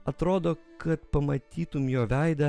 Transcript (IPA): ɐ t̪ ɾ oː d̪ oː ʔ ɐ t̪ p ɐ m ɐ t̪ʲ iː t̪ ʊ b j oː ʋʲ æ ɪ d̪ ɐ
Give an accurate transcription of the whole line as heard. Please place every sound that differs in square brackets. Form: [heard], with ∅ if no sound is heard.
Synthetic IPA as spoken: ɐ t̪ ɾ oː d̪ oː [k] ɐ t̪ p ɐ m ɐ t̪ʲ iː t̪ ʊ [m] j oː ʋʲ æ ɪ d̪ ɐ